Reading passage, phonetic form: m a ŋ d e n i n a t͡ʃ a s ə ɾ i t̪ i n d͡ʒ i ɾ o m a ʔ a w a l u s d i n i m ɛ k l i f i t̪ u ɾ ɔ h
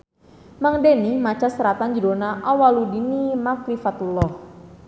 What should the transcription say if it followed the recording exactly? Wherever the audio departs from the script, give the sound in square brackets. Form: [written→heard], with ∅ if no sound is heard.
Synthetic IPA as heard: m a ŋ d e n i [n→m] a t͡ʃ a s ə ɾ [i→a] t̪ [i→a] n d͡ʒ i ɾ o [m→n] a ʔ a w a l u [s→∅] d i n i m [ɛ→a] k l i f [i→a] t̪ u [ɾ→l] ɔ h